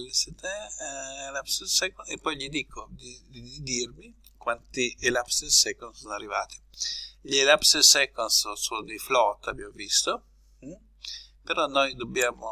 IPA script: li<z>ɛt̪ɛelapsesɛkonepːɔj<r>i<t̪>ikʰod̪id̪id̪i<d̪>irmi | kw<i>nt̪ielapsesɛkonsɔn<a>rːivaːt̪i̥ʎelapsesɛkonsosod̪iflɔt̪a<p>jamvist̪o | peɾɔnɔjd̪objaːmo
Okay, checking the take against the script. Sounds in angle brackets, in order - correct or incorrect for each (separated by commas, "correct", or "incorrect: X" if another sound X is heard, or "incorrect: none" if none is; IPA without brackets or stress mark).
incorrect: s, incorrect: ʎ, incorrect: d̪, correct, incorrect: a, correct, incorrect: b